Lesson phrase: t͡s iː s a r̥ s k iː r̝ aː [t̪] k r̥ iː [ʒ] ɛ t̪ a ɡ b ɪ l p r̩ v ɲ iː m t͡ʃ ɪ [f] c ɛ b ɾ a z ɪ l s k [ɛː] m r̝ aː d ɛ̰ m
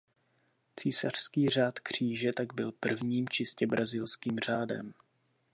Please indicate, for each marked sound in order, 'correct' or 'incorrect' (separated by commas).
correct, correct, incorrect, incorrect